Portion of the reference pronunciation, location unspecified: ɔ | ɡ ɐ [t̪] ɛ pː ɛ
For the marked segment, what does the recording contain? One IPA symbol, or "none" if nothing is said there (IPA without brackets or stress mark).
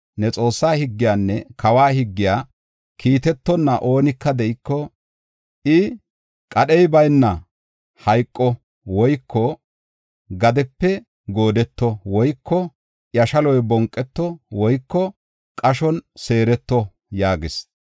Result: d̪